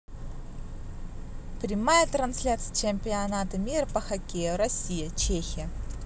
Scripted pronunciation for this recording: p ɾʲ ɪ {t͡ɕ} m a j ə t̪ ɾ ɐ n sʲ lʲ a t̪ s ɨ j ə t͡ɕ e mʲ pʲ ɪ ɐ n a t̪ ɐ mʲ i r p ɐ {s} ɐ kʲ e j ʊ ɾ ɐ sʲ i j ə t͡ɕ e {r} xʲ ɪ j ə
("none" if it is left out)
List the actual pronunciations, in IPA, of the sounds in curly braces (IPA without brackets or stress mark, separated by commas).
none, x, none